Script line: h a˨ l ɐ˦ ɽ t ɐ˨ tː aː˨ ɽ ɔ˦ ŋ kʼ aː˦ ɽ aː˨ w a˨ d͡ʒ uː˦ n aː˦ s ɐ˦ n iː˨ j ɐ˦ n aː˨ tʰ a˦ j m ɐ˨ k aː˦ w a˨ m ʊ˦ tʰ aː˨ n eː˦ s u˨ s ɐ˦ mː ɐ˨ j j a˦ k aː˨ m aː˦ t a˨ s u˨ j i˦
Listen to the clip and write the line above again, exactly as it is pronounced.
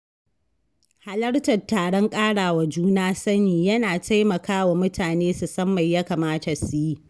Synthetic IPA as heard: h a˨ l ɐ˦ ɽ t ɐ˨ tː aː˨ ɽ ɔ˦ ŋ kʼ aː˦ ɽ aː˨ w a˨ d͡ʒ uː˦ n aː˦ s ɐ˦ n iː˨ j ɐ˦ n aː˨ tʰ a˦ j m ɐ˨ k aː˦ w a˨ m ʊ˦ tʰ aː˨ n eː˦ s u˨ s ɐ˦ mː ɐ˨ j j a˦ k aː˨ m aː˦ t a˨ s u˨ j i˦